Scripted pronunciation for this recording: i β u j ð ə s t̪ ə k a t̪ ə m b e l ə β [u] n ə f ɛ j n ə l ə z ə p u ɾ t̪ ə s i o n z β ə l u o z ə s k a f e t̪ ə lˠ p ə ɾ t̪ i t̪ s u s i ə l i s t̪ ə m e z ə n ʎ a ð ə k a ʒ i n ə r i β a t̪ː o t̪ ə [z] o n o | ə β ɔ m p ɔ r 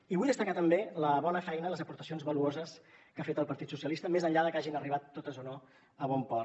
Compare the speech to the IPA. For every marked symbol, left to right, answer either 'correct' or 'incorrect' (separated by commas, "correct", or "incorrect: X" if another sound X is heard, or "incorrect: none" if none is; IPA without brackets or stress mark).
incorrect: ɔ, correct